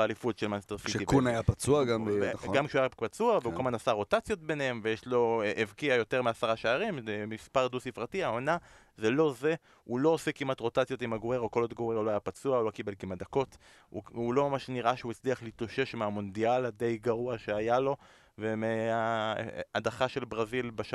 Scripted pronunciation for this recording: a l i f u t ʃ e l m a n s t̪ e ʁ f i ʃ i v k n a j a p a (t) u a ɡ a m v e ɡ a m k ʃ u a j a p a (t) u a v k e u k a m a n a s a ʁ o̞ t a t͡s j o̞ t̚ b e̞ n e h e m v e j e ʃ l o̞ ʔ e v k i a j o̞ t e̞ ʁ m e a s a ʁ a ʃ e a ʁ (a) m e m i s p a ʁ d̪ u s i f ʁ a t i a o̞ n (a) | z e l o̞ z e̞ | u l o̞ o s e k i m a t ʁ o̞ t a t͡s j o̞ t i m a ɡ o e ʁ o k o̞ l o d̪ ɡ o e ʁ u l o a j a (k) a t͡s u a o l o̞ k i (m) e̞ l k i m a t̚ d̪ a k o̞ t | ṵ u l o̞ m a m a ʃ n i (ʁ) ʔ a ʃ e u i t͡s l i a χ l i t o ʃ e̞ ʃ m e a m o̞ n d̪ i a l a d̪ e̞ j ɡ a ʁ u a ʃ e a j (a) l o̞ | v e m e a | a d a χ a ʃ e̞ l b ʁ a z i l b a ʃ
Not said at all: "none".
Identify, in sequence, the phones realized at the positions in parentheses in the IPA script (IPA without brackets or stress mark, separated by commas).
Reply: t͡s, t͡s, i, a, p, b, ʁ, a